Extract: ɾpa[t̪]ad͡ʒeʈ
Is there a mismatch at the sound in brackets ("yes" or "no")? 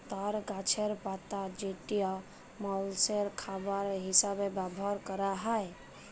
no